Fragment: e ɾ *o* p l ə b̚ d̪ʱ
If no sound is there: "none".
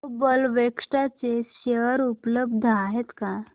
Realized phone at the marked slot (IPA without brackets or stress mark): u